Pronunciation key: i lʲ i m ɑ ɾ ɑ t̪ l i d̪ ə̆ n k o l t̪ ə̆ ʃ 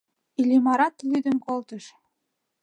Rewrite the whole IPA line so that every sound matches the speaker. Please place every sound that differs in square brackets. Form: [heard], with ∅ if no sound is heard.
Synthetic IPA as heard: i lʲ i m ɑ ɾ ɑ t̪ l [y] d̪ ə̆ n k o l t̪ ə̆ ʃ